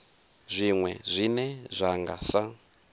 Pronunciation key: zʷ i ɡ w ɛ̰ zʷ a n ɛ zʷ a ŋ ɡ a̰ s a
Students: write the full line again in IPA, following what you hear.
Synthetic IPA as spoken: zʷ i ŋ w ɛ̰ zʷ i n ɛ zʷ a ŋ ɡ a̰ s a